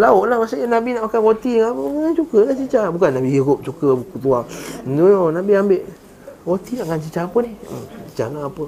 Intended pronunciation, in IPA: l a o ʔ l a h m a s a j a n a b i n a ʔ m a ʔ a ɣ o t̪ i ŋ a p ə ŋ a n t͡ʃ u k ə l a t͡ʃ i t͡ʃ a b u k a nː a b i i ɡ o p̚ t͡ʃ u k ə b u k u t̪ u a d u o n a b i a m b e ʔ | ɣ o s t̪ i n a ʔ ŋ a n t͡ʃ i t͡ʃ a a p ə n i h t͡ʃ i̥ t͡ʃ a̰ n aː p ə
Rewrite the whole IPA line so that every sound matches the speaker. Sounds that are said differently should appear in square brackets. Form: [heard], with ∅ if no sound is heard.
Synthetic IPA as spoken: l a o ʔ l a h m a s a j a n a b i n a ʔ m a [k] a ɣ o t̪ i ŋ a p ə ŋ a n t͡ʃ u k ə l a t͡ʃ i t͡ʃ a b u k a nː a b i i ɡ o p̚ t͡ʃ u k ə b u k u t̪ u a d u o n a b i a m b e ʔ | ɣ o [∅] t̪ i n a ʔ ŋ a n t͡ʃ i t͡ʃ a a p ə n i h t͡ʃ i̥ t͡ʃ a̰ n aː p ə